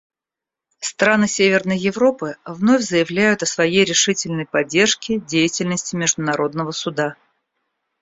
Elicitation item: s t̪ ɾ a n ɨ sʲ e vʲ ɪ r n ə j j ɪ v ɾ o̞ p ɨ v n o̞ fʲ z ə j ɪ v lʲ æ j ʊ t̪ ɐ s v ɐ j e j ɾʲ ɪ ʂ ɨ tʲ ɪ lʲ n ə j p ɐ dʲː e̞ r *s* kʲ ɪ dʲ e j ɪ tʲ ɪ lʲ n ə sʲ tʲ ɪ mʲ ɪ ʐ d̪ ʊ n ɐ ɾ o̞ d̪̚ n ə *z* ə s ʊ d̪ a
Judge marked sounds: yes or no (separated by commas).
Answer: no, no